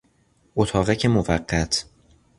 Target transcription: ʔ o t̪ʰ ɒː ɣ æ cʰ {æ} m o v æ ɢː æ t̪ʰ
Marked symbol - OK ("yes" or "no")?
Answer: no